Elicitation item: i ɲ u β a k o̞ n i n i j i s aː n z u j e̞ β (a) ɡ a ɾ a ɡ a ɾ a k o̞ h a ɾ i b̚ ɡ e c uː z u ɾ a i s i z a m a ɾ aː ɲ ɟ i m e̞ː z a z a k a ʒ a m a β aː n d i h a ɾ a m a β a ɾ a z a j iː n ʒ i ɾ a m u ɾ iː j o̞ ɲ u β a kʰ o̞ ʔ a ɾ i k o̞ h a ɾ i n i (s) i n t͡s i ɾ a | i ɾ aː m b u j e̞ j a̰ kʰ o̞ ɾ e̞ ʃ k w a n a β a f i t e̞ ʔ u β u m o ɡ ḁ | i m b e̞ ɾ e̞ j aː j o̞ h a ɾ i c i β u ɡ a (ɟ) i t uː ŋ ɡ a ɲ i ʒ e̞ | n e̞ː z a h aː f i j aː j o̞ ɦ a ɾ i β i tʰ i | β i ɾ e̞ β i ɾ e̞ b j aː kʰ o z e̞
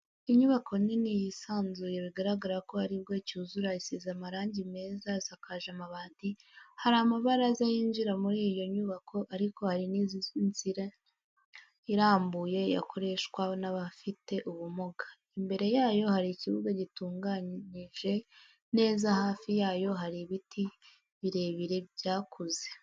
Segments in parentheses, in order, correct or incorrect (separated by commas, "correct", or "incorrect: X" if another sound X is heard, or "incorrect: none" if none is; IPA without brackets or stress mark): incorrect: i, incorrect: z, correct